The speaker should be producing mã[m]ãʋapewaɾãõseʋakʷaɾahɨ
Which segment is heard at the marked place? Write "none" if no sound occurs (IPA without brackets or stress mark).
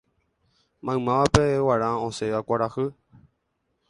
m